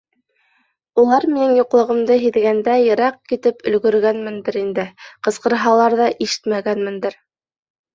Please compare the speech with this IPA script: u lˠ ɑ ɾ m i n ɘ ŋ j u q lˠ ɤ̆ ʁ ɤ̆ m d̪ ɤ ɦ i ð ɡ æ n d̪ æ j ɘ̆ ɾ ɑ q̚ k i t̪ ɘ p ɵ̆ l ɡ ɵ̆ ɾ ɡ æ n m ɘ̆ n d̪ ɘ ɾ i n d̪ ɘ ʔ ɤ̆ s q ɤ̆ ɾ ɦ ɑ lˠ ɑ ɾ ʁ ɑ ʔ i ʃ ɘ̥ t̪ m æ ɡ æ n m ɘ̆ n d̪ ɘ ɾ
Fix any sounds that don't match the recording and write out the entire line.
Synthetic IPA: u lˠ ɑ ɾ m i n ɘ ŋ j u q lˠ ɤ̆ ʁ ɤ̆ m d̪ ɤ ɦ i ð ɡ æ n d̪ æ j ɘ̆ ɾ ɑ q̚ k i t̪ ɘ p ɵ̆ l ɡ ɵ̆ ɾ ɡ æ n m ɘ̆ n d̪ ɘ ɾ i n d̪ ɘ q ɤ̆ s q ɤ̆ ɾ ɦ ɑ lˠ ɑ ɾ ð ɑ ʔ i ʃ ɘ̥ t̪ m æ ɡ æ n m ɘ̆ n d̪ ɘ ɾ